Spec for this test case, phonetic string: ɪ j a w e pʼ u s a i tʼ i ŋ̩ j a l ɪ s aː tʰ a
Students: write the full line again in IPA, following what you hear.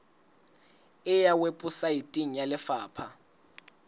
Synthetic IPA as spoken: ɪ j a w e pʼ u s a i tʼ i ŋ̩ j a l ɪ f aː pʰ a